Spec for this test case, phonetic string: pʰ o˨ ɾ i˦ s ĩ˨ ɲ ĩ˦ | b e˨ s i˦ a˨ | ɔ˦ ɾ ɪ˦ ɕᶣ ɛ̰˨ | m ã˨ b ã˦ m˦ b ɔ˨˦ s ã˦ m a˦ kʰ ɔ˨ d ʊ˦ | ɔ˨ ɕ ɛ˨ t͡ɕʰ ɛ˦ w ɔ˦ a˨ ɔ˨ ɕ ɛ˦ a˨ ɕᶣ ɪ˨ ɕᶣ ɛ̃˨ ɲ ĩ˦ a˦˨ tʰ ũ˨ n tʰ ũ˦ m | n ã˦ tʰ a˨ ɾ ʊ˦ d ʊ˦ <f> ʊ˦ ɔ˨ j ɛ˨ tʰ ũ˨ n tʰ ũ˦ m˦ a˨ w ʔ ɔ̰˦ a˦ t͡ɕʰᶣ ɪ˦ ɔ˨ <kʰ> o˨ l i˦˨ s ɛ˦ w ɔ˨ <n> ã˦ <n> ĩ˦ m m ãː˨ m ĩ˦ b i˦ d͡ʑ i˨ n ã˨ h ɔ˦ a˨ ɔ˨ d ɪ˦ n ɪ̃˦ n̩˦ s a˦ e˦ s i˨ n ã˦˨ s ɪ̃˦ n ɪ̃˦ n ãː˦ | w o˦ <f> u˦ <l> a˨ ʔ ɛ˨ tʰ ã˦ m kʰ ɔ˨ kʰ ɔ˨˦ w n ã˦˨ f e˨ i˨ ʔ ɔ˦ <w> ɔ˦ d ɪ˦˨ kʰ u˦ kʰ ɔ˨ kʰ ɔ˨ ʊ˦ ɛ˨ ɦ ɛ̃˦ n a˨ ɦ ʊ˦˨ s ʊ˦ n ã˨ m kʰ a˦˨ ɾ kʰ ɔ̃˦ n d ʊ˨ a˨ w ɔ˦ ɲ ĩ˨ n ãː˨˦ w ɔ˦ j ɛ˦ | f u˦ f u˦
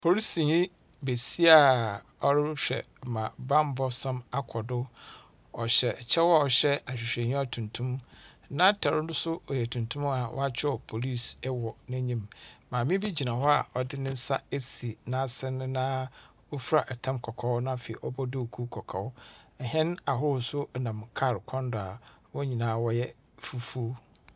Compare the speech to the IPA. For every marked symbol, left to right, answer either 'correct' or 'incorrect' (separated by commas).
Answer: incorrect, incorrect, correct, incorrect, correct, incorrect, incorrect